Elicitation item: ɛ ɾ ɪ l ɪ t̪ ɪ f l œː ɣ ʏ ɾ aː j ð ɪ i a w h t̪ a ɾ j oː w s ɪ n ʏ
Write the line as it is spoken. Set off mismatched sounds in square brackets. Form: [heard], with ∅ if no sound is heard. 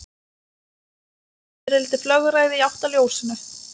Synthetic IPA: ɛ ɾ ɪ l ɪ t̪ ɪ f l [œ] ɣ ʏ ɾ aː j ð ɪ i a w h t̪ a [l] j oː w s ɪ n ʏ